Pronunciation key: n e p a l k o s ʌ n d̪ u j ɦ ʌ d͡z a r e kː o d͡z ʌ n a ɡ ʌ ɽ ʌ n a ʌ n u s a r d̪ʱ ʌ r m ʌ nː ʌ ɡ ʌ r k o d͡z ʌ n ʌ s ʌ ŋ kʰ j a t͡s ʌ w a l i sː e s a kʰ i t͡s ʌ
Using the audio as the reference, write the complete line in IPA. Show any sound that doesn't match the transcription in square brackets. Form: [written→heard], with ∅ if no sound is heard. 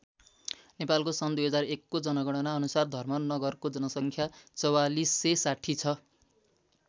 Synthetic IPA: n e p a l k o s ʌ n d̪ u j ɦ ʌ d͡z a r e kː o d͡z ʌ n [a→ʌ] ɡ ʌ ɽ ʌ n a ʌ n u s a r d̪ʱ ʌ r m ʌ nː ʌ ɡ ʌ r k o d͡z ʌ n ʌ s ʌ ŋ kʰ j a t͡s ʌ w a l i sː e s a [kʰ→ʈʰ] i [t͡s→t͡sʰ] ʌ